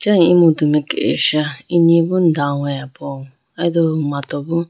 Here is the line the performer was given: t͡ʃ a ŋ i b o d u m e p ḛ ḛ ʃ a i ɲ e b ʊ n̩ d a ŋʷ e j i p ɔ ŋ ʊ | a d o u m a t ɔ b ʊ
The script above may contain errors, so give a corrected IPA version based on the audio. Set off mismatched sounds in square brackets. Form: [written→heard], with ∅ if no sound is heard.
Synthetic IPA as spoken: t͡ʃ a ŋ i [b→m] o d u m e [p→k] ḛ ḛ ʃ a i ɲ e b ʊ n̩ d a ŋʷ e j [i→a] p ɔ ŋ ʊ | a d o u m a t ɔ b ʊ